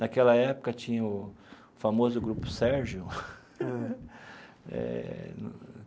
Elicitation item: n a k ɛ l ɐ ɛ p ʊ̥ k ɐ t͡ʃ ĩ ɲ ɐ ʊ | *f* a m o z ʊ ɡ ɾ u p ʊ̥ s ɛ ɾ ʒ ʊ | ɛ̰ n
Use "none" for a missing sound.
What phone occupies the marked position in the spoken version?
f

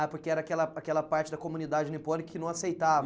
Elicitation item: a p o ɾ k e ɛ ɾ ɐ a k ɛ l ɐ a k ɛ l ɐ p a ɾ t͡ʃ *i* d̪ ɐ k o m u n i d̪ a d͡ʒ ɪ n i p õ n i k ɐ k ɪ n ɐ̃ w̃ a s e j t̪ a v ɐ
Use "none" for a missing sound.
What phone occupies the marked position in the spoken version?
ɪ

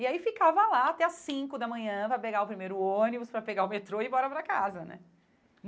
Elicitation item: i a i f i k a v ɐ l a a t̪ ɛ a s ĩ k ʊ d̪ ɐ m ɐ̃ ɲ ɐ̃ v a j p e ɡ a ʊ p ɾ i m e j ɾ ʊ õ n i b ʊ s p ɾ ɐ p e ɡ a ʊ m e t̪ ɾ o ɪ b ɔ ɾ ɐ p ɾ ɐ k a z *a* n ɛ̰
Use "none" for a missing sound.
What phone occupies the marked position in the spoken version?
ɐ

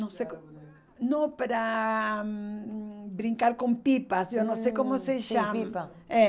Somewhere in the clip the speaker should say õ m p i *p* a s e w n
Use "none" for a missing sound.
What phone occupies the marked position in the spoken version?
p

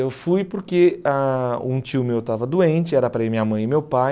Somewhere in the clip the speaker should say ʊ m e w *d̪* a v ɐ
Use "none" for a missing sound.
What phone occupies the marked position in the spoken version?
t̪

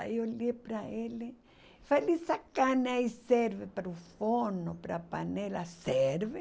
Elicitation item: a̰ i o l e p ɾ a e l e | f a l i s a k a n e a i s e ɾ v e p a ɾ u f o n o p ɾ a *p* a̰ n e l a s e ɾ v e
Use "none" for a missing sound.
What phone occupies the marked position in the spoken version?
p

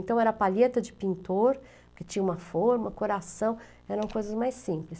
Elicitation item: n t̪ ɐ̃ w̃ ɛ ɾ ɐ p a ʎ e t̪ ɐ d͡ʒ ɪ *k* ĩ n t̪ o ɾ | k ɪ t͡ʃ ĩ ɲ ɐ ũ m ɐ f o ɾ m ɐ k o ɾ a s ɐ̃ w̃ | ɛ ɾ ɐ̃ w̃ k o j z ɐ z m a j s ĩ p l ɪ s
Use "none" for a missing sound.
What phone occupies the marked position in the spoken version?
p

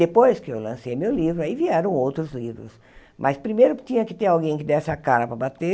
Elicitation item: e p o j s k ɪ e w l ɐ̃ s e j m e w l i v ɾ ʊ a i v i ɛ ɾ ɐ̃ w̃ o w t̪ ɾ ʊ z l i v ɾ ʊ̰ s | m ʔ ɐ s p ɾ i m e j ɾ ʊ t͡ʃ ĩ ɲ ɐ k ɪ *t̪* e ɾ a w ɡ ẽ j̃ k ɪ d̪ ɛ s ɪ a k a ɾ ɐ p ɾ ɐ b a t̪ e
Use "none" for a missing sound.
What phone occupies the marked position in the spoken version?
t̪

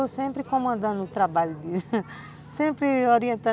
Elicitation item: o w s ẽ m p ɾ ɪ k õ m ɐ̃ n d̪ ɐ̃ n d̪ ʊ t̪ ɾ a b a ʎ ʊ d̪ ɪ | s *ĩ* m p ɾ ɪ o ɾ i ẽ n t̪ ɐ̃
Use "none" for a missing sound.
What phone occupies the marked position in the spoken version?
ẽ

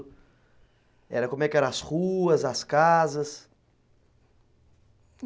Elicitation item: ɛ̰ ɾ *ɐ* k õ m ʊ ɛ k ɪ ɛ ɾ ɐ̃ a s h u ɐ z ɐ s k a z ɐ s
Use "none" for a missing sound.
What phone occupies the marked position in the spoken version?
ɐ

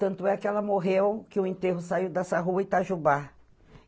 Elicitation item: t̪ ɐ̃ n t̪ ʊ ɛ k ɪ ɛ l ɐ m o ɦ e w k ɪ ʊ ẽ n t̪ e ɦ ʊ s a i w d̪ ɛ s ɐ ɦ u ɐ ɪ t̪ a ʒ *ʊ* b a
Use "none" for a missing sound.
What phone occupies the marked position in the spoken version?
u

